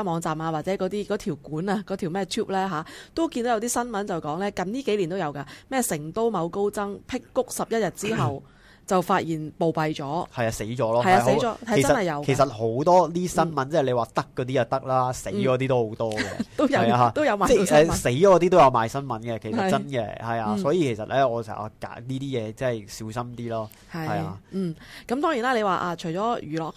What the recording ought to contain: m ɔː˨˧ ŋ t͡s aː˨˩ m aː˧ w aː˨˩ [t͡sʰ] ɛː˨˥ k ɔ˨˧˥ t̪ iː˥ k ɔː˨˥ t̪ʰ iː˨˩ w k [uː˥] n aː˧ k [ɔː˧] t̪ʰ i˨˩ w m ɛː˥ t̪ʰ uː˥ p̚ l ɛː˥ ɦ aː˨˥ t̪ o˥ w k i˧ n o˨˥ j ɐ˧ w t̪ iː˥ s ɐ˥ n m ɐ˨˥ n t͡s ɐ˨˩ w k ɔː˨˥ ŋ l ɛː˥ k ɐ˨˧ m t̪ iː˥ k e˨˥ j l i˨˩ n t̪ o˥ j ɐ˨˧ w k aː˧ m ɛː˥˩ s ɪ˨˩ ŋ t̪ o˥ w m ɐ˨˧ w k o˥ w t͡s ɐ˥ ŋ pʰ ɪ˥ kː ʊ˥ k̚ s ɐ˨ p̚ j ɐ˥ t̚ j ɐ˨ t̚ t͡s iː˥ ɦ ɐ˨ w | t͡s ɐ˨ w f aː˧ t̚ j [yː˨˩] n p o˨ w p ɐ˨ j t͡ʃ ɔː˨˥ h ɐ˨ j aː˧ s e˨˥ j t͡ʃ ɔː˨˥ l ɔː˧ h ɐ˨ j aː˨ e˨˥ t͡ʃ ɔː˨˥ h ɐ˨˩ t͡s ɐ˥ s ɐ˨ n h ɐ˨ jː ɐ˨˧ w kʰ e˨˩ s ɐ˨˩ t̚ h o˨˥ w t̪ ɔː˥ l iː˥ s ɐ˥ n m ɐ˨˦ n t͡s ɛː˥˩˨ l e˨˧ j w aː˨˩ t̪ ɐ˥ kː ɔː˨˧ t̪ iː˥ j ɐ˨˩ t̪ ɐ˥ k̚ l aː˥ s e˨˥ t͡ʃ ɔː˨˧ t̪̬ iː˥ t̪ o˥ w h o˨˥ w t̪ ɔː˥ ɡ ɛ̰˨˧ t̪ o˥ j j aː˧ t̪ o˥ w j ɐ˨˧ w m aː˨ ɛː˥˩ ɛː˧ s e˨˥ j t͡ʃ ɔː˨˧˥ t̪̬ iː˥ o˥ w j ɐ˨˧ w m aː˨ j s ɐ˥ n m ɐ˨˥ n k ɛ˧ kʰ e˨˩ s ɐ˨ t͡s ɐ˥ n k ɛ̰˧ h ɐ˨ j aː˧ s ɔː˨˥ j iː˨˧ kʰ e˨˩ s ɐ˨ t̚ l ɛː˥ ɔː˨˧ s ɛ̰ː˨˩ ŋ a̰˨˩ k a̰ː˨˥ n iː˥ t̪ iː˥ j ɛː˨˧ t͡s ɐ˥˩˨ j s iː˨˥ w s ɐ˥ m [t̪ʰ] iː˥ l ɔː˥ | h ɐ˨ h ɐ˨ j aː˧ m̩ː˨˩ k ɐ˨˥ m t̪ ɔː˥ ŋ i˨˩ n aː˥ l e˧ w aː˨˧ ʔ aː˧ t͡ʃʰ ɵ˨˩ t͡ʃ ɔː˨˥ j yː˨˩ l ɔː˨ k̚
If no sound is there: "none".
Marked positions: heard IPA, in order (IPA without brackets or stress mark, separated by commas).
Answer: t͡s, uː˨˥, ɔː˨˥, iː˨˩, t̪